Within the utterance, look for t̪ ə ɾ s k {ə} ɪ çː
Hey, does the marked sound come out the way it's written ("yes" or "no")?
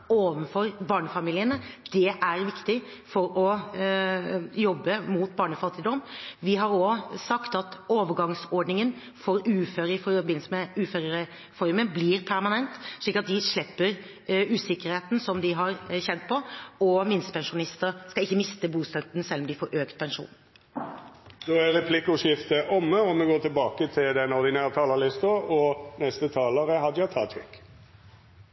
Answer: no